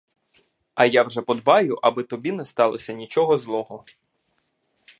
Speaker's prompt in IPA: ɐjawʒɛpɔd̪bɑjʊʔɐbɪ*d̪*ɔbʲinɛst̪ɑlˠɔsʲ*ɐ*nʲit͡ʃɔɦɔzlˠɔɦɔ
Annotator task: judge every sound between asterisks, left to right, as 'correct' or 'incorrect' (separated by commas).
incorrect, correct